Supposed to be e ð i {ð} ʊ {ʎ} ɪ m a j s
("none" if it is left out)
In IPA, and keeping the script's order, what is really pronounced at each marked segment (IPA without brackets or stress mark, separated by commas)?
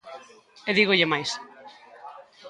ɣ, ʎ